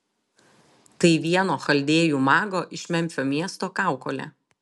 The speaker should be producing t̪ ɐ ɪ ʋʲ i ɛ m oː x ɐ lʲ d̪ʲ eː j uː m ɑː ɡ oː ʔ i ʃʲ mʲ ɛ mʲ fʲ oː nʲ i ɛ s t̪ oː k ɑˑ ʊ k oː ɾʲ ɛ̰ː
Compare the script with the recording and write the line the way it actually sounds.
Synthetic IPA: t̪ ɐ ɪ ʋʲ i ɛ n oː x ɐ lʲ d̪ʲ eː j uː m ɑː ɡ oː ʔ ɪ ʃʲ mʲ ɛ mʲ fʲ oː mʲ i ɛ s t̪ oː k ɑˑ ʊ k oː lʲ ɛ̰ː